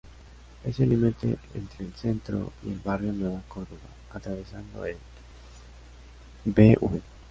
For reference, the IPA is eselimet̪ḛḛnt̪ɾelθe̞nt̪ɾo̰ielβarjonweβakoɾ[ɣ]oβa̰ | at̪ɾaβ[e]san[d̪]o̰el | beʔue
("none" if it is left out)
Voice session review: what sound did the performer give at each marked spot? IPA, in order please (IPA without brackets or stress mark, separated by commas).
ð, e, d̪